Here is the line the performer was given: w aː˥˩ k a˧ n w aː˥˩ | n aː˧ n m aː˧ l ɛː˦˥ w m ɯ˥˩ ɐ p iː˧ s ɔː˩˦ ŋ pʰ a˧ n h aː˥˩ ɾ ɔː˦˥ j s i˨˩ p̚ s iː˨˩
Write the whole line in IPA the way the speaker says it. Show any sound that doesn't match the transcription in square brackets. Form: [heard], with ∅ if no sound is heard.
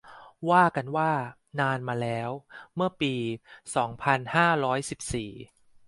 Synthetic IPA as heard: w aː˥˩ k a˧ n w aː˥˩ | n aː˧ n m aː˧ l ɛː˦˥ w m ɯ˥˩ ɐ p iː˧ s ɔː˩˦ ŋ pʰ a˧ n h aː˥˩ ɾ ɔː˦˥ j s i˨˩ p̚ s iː˨˩